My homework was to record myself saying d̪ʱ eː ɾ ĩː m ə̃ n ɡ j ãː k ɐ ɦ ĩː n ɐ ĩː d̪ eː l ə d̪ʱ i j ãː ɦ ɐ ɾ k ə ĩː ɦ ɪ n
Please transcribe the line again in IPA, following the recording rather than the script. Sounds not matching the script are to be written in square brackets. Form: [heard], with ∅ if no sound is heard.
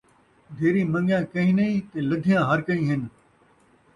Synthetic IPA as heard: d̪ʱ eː ɾ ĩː m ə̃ [ŋ] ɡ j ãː k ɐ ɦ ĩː n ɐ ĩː [t̪] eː l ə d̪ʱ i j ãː ɦ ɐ ɾ k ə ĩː ɦ ɪ n